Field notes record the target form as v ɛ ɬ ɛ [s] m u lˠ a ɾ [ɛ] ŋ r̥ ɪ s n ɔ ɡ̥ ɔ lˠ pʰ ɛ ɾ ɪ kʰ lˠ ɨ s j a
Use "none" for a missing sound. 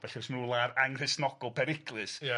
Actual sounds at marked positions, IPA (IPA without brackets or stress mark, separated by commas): s, a